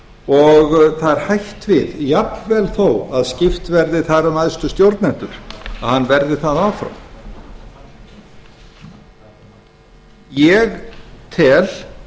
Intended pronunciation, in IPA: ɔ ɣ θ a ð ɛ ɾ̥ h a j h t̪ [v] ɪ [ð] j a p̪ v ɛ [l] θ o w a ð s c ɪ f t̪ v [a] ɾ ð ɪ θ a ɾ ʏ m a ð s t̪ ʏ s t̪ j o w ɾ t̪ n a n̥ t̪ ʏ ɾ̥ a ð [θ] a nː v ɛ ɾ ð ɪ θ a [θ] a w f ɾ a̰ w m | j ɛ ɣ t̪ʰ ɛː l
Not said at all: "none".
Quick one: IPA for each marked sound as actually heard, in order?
v, ð, l, ɛ, h, ð

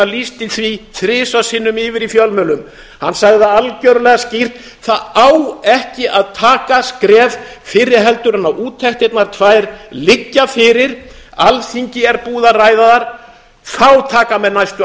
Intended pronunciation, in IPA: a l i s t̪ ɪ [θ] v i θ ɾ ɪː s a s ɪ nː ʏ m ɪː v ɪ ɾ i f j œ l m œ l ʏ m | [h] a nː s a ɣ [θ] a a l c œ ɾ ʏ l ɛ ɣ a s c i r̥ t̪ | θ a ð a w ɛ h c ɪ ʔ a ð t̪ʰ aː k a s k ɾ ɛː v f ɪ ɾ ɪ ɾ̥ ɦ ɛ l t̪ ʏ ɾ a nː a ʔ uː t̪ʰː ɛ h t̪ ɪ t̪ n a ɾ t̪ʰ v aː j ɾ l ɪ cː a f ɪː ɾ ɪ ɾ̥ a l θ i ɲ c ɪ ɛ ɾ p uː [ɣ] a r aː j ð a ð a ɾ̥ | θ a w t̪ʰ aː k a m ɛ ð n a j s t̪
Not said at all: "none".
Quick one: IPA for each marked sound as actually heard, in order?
θ, h, ð, ð

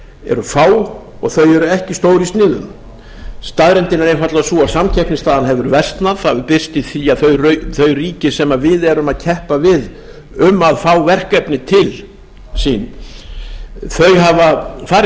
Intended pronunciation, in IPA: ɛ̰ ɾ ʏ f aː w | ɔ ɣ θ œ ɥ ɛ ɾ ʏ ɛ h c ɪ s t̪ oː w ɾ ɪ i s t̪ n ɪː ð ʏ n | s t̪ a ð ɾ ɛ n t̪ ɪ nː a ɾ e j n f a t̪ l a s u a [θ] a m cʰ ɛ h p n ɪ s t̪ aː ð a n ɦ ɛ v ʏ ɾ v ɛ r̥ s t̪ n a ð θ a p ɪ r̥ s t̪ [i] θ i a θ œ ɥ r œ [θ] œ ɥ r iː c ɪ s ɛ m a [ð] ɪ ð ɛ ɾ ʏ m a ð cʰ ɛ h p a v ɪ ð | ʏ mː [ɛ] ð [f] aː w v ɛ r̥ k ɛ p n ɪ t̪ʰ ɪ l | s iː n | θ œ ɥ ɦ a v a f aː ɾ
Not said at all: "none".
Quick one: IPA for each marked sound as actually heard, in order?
s, ɪ, θ, v, a, f

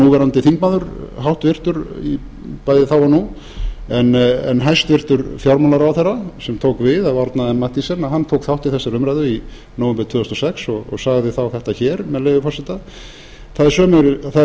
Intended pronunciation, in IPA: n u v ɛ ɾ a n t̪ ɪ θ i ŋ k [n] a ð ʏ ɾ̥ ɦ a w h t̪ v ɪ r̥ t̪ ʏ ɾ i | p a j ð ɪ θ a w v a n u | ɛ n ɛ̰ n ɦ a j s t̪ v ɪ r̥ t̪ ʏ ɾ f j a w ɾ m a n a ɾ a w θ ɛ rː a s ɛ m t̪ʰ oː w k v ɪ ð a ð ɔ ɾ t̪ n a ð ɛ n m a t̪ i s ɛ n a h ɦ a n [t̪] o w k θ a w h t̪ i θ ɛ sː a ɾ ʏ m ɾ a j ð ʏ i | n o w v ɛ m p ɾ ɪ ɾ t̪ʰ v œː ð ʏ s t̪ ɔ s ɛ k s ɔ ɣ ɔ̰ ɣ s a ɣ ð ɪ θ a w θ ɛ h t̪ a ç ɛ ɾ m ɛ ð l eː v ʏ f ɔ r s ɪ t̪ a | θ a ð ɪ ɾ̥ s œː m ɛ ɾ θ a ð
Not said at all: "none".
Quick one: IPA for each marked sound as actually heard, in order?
m, t̪ʰ

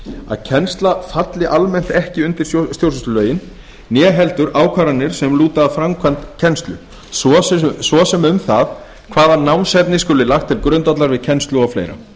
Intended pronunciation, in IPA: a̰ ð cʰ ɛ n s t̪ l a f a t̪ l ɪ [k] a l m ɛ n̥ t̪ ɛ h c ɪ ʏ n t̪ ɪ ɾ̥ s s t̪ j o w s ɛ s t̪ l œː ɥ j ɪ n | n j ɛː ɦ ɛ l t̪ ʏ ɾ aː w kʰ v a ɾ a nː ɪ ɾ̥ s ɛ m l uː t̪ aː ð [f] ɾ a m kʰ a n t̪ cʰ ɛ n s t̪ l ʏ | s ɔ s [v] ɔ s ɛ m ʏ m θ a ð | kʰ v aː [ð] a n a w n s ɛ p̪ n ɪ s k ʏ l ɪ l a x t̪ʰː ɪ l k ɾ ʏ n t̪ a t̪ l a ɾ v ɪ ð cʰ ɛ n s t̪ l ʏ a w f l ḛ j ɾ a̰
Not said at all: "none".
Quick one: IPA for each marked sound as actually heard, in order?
ʔ, f, v, ð

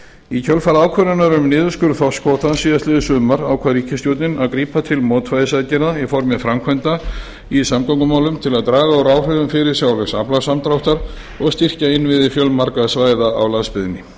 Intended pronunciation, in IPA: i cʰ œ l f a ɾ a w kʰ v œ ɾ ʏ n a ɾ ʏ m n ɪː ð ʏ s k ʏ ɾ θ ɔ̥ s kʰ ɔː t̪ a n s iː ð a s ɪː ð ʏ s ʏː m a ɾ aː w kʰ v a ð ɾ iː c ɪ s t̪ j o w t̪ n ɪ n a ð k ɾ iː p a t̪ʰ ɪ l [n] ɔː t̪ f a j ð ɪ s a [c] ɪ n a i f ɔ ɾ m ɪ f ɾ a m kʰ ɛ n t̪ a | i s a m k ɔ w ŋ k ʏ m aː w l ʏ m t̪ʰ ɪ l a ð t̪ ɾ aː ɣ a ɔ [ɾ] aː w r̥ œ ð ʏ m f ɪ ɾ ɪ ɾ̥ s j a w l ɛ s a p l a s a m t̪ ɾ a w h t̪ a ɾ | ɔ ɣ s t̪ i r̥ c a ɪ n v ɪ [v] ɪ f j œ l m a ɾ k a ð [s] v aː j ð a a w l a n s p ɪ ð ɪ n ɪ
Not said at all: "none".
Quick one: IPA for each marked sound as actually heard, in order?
m, c, ɾ, ð, s

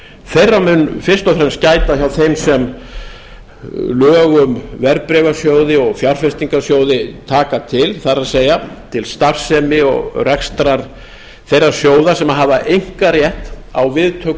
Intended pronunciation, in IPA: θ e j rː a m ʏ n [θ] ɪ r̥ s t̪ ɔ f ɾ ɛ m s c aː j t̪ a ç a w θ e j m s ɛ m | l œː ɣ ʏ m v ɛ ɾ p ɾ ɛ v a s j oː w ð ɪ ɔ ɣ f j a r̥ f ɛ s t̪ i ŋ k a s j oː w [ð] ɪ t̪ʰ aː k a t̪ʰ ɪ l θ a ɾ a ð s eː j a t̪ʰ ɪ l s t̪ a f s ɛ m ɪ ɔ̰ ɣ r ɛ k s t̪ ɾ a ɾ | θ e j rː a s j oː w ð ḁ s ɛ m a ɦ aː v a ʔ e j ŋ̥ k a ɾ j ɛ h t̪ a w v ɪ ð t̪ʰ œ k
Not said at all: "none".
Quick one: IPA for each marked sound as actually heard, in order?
f, ð

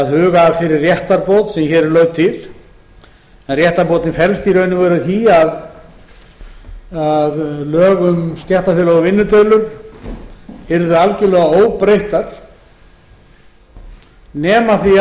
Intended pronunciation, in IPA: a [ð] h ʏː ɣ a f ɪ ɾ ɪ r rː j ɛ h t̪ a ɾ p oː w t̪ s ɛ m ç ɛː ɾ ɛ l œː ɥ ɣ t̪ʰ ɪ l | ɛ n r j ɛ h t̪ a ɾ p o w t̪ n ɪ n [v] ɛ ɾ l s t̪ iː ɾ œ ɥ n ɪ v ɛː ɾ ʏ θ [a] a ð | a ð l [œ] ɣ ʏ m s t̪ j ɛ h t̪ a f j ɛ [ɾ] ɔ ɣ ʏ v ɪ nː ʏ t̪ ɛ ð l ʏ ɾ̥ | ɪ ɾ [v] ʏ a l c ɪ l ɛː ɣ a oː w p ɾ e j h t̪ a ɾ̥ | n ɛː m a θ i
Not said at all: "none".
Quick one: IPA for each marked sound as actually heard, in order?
ð, f, i, œː, l, ð

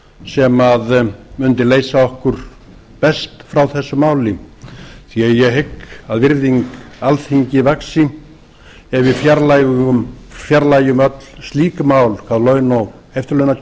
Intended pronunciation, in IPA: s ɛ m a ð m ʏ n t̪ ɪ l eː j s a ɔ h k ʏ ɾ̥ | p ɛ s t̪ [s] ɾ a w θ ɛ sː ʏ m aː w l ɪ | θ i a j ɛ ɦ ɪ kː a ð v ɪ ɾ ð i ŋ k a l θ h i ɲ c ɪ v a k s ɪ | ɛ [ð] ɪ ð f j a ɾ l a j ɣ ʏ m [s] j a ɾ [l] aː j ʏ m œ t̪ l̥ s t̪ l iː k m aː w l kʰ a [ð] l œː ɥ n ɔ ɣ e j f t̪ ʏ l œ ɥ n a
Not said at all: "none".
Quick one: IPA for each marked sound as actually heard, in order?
f, v, f, l, ð

